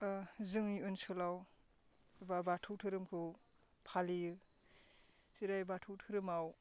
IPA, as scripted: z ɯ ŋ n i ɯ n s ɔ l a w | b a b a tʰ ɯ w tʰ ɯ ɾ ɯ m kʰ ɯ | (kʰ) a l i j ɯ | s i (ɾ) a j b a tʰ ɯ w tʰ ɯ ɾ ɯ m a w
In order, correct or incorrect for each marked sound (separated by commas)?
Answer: incorrect, correct